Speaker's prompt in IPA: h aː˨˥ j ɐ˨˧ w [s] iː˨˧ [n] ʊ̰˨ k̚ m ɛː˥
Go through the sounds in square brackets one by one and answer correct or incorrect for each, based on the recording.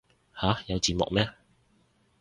incorrect: t͡s, incorrect: m

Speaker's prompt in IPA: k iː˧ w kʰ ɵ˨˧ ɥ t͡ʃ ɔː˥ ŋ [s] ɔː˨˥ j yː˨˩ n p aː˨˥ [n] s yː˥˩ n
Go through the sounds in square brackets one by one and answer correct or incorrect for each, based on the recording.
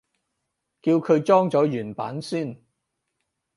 incorrect: t͡s, correct

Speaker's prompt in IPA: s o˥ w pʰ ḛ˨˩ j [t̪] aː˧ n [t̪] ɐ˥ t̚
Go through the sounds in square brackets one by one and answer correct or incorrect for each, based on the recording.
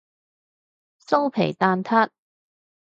correct, incorrect: t̪ʰ

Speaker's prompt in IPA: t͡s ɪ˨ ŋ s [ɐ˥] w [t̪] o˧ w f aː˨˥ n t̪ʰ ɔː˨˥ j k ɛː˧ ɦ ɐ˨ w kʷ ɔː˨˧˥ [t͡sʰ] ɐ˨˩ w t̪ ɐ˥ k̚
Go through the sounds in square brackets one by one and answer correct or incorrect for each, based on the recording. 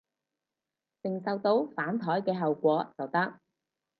incorrect: ɐ˧, correct, incorrect: t͡s

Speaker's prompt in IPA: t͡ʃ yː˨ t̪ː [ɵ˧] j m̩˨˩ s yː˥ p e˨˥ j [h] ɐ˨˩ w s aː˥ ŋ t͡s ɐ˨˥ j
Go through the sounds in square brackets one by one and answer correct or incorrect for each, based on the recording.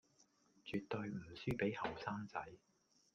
correct, correct

